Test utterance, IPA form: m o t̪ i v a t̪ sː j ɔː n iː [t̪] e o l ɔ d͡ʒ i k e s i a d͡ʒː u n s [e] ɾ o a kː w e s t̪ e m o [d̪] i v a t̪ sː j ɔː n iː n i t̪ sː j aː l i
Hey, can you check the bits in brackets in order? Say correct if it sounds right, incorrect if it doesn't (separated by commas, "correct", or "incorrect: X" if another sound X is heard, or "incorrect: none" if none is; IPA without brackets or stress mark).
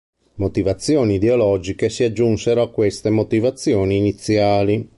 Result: incorrect: d̪, correct, incorrect: t̪